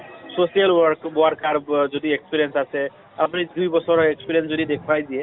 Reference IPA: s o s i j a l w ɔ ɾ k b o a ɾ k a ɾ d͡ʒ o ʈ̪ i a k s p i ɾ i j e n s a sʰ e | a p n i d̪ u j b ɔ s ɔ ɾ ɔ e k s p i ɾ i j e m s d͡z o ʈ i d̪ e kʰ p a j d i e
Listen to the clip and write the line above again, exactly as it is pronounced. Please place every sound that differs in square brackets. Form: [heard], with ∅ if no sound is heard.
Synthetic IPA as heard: s o s i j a l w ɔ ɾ k b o a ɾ k a ɾ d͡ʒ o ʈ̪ i [e] k s p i ɾ i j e n s a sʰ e | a p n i d̪ u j b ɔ s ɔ ɾ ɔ e k s p i ɾ i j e [n] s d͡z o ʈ i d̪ e kʰ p a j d i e